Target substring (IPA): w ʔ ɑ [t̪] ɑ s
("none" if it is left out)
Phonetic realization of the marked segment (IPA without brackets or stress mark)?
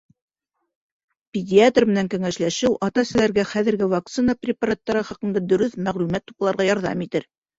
t̪